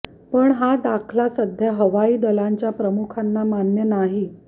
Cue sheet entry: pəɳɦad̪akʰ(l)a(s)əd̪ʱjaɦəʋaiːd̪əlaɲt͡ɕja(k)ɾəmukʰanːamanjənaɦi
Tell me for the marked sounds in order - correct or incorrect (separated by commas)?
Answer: correct, correct, incorrect